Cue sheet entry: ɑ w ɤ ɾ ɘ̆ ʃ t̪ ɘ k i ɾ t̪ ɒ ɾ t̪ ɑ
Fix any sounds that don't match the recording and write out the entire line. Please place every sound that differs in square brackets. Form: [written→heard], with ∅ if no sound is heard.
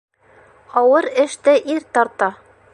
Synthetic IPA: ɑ w ɤ ɾ ɘ̆ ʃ t̪ ɘ [k→ʔ] i ɾ t̪ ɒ ɾ t̪ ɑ